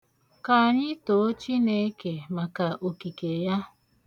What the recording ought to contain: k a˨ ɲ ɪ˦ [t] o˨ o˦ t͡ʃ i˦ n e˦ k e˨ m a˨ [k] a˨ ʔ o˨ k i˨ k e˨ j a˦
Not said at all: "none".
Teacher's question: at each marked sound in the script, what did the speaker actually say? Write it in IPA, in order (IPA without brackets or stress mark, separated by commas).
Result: t, k